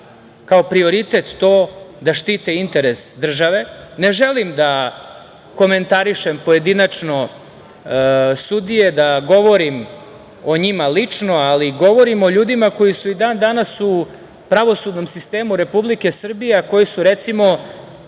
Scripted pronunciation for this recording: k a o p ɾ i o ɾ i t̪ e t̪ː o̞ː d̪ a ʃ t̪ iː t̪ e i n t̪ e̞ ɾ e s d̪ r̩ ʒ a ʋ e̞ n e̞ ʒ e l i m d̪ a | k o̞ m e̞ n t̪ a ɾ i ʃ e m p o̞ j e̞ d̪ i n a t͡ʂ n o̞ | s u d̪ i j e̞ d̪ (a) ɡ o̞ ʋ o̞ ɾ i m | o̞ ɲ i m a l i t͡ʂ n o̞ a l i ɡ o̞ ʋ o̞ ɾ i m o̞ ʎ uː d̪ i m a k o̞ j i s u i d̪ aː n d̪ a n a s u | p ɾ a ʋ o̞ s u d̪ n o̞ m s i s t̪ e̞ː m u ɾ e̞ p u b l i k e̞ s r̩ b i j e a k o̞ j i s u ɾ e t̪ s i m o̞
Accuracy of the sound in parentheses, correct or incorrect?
correct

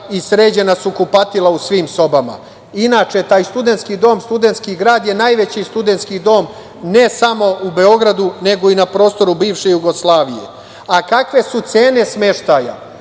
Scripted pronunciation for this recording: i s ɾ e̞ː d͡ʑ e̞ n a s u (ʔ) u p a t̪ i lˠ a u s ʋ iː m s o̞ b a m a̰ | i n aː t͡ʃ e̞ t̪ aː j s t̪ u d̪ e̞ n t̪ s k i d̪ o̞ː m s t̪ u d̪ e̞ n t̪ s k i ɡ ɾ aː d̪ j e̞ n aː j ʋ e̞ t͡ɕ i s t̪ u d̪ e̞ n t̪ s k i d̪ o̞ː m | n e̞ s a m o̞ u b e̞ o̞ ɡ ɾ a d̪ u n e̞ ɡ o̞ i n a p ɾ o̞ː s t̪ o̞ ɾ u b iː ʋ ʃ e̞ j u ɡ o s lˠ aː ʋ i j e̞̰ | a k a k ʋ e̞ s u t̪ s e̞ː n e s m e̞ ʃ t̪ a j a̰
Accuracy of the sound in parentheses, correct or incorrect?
incorrect: k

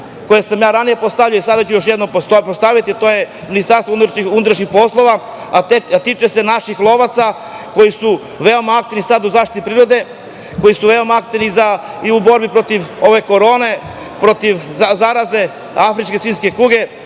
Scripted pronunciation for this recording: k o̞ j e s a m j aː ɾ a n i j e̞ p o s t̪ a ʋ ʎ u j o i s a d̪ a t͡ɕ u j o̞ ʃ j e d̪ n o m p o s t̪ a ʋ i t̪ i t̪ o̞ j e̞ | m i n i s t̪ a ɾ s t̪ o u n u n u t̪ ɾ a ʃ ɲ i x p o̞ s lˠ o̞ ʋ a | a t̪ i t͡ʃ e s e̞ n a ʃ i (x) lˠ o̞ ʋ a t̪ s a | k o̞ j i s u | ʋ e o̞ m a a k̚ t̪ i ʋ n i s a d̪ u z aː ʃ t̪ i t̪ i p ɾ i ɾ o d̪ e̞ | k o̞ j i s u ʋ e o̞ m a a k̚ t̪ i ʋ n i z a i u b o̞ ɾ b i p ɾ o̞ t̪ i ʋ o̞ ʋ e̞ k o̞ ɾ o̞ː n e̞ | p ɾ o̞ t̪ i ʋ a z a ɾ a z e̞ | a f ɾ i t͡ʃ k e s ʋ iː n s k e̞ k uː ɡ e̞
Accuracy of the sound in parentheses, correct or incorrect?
correct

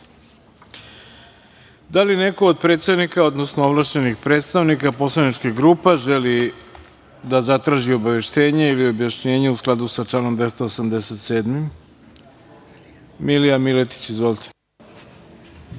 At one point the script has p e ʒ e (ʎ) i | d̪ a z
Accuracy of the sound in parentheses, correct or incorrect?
incorrect: l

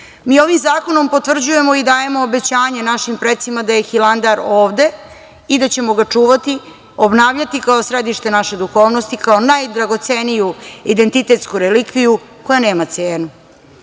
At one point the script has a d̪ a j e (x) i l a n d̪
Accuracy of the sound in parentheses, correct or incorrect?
correct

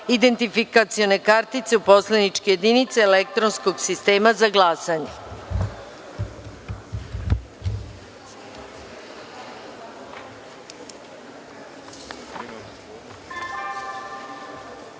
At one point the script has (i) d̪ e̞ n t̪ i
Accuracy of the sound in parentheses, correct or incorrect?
correct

